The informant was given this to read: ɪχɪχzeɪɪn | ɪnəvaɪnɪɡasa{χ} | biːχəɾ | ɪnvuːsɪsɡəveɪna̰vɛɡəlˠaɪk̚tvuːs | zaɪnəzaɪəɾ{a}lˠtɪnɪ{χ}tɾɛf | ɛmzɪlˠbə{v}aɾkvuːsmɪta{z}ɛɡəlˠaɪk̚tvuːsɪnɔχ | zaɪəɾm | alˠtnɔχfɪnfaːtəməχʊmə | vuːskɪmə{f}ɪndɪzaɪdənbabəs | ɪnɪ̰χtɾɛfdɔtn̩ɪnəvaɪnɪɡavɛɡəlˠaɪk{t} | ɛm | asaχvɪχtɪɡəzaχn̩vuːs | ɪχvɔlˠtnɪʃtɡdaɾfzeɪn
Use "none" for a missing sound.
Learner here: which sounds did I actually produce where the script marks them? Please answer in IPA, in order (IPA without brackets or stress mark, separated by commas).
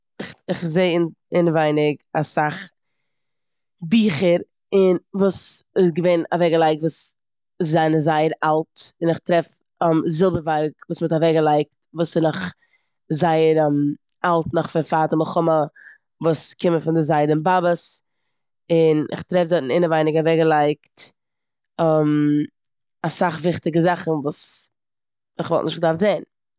χ, a, χ, v, v, f, t